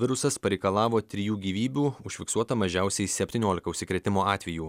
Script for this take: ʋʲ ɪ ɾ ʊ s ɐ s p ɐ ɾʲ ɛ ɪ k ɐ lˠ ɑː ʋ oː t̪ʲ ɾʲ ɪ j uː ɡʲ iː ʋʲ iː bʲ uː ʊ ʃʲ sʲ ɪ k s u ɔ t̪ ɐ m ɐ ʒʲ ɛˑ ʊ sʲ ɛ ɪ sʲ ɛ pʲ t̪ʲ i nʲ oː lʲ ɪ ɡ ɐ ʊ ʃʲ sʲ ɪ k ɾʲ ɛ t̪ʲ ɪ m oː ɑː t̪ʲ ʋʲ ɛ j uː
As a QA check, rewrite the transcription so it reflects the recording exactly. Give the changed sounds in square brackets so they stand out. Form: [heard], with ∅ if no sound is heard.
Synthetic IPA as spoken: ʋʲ ɪ ɾ ʊ s ɐ s p ɐ ɾʲ ɛ ɪ k ɐ lˠ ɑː ʋ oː t̪ʲ ɾʲ ɪ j uː ɡʲ iː ʋʲ iː bʲ uː ʊ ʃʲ [fʲ] ɪ k s u ɔ t̪ ɐ m ɐ ʒʲ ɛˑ ʊ sʲ ɛ ɪ sʲ ɛ pʲ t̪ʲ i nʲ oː lʲ ɪ [k] ɐ ʊ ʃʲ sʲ ɪ k ɾʲ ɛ t̪ʲ ɪ m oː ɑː t̪ʲ ʋʲ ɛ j uː